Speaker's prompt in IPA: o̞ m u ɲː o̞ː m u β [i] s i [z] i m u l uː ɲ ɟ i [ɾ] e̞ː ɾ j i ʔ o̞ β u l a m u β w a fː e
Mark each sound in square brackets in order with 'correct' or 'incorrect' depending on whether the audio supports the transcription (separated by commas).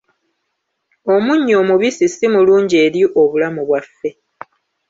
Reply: correct, incorrect, incorrect